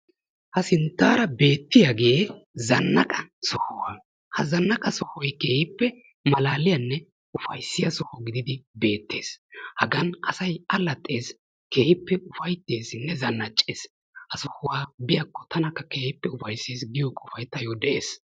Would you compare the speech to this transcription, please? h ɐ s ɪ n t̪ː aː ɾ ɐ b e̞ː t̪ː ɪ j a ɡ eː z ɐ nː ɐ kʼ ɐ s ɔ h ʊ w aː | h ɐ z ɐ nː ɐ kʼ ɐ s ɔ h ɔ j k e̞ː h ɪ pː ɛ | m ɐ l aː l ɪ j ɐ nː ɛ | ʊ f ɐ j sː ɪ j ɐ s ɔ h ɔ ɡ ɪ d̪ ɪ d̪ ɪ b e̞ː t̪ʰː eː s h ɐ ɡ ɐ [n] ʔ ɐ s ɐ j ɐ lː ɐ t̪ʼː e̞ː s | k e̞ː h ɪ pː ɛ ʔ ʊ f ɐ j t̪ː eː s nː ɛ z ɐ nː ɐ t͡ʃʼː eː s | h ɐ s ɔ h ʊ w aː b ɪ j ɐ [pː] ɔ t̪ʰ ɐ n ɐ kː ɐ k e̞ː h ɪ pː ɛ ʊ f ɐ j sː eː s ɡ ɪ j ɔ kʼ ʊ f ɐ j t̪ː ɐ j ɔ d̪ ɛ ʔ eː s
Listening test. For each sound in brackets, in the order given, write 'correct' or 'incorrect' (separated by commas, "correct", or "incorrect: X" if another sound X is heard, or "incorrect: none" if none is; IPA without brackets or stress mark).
correct, incorrect: kː